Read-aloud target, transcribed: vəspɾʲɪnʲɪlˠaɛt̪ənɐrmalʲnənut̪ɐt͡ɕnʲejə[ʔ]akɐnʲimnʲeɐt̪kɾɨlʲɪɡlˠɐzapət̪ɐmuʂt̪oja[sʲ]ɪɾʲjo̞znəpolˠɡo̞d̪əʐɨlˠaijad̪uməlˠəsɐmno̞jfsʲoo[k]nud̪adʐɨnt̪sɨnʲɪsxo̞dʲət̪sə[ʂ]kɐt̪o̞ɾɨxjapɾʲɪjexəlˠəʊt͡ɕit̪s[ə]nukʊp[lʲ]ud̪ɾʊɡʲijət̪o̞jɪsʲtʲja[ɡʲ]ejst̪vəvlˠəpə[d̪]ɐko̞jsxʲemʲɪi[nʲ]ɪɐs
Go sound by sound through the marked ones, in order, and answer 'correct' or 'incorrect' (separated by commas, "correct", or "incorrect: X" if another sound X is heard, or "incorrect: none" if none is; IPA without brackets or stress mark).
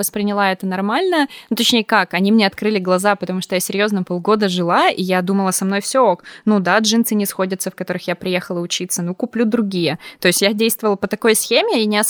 incorrect: k, correct, correct, incorrect: f, correct, correct, incorrect: dʲ, incorrect: t̪, correct